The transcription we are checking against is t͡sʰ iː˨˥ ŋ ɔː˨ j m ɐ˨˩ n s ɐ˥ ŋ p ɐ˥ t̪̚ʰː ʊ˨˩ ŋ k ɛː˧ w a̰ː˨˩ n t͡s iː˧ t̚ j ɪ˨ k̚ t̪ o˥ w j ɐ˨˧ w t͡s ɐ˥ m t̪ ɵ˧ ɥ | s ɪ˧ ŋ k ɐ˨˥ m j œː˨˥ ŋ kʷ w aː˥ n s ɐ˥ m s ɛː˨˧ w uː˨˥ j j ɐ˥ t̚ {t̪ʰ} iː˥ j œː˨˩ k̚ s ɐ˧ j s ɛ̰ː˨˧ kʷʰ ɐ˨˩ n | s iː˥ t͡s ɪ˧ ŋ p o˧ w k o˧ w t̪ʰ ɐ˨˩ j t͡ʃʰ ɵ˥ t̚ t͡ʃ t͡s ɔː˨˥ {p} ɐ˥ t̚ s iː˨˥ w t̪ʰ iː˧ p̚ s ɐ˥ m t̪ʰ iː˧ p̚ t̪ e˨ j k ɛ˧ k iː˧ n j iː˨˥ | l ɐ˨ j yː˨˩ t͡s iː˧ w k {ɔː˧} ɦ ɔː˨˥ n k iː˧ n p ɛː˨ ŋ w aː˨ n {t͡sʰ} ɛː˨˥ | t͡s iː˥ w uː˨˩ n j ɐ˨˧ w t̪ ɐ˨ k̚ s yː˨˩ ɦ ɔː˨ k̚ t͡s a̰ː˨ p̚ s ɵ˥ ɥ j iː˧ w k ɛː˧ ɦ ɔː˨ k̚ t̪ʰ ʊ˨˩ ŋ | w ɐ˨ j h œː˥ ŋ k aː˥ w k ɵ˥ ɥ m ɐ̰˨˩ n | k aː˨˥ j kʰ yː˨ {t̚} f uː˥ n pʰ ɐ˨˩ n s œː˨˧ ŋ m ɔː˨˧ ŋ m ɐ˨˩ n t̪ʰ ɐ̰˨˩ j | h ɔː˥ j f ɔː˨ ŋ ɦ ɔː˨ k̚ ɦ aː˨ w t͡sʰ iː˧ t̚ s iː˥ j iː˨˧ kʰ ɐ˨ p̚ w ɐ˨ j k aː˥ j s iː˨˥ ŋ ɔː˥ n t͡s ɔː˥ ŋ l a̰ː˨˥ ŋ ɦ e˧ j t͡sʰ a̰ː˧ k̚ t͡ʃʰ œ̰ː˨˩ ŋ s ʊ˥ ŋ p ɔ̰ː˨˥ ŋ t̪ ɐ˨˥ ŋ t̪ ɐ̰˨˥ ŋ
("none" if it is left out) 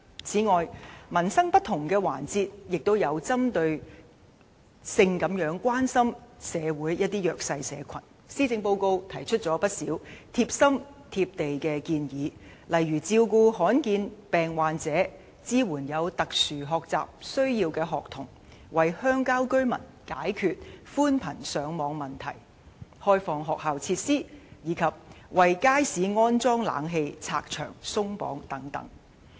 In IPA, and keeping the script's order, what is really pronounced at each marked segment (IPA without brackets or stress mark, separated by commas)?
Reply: t̪, p, uː˧, t͡s, t̚